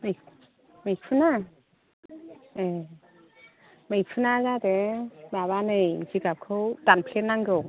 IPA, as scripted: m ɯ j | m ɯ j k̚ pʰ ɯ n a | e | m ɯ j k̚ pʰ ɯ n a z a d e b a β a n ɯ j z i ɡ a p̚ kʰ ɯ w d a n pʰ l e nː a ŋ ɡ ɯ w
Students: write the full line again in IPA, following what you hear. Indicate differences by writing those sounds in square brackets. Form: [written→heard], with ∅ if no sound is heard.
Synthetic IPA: m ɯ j | m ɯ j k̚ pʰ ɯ n a | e | m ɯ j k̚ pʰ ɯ n a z a d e b a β a n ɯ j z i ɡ a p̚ kʰ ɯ w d a n pʰ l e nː a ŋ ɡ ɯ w